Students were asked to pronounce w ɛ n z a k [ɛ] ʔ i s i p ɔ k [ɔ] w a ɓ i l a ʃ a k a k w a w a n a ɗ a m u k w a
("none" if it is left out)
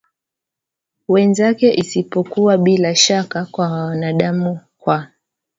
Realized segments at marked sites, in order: ɛ, u

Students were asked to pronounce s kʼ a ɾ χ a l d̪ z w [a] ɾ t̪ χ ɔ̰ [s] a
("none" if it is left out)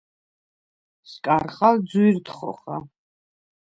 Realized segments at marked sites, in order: i, χ

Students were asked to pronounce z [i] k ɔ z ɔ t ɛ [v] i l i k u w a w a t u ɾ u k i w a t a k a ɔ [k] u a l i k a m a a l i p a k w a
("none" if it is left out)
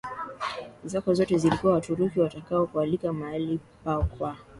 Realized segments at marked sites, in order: a, z, k

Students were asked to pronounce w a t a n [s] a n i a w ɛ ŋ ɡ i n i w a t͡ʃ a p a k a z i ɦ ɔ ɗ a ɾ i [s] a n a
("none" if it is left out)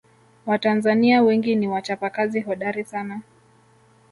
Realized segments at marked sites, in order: z, s

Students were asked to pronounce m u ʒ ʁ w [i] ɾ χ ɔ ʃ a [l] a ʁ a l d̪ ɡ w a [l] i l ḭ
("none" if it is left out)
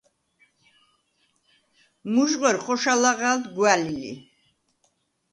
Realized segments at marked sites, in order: ɛ, l, l

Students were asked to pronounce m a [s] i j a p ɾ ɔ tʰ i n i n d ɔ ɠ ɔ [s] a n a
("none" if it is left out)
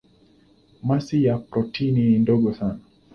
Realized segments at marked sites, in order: s, s

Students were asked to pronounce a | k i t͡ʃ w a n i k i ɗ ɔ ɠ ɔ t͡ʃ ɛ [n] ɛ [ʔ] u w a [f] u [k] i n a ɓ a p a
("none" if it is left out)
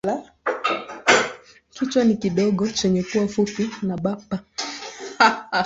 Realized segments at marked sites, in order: ɲ, k, f, p

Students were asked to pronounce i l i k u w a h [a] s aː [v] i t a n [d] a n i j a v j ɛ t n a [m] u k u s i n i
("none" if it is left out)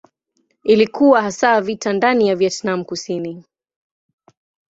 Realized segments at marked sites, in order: a, v, d, m

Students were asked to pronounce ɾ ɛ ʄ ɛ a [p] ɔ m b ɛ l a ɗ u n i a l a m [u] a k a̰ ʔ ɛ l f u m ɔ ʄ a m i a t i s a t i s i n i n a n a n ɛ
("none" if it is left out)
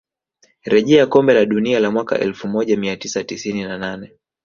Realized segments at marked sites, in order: k, w

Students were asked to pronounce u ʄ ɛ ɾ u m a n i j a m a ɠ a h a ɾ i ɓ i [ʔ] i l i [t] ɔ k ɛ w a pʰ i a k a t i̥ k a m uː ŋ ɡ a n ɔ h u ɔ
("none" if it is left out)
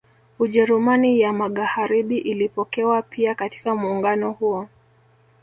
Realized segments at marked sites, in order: ʔ, p

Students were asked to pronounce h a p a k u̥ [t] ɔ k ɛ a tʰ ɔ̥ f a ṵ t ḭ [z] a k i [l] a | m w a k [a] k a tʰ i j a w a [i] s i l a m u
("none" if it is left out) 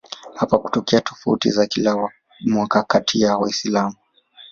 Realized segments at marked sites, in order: t, z, l, a, i

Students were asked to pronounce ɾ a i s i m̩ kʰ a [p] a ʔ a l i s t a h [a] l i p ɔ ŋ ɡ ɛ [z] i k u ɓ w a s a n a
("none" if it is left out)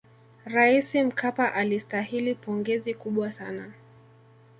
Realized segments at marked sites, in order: p, i, z

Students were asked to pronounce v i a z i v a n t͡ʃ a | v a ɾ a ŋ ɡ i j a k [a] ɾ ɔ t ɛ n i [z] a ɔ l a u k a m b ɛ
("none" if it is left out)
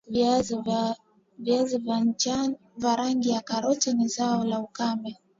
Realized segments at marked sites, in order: a, z

